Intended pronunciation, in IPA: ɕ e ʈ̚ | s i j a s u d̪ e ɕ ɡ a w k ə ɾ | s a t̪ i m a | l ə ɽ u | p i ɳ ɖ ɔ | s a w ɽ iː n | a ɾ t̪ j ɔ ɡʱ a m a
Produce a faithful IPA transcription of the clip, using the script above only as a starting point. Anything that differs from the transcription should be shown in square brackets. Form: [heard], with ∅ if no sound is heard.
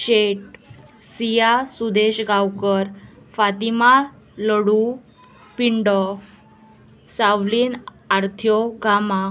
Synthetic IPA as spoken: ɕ e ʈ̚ | s i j a s u d̪ e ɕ ɡ a w k ə ɾ | [f] a t̪ i m a | l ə ɽ u | p i ɳ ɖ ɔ | s a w [l] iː n | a ɾ [t̪ʰ] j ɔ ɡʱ a m a